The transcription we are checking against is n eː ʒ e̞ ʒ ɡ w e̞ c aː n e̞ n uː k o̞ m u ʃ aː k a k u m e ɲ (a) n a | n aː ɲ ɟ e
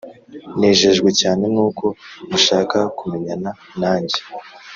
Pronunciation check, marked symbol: correct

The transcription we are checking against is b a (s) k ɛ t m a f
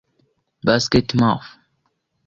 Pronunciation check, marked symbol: correct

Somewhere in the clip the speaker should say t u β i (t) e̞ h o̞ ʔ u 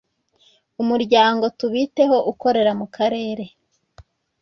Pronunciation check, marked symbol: correct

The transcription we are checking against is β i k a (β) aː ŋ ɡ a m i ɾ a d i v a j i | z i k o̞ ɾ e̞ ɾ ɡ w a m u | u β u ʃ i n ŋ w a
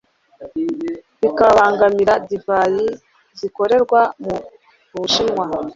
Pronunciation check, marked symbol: correct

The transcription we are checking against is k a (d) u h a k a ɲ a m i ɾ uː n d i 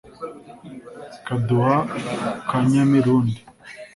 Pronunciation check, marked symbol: correct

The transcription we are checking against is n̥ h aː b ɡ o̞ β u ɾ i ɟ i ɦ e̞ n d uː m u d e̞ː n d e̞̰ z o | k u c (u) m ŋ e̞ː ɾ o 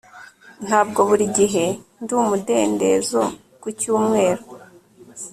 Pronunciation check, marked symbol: incorrect: uː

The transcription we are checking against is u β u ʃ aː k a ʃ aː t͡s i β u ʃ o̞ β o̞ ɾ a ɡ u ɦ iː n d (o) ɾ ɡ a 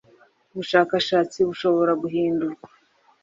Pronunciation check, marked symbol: incorrect: u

